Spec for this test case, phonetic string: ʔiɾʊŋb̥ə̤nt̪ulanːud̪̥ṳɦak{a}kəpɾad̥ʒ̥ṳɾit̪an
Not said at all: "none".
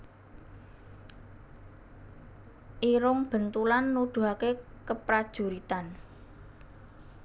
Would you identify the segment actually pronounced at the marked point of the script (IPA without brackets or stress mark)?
e